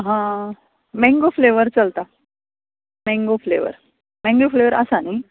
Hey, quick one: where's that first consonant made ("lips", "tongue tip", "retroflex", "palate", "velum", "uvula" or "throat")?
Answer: throat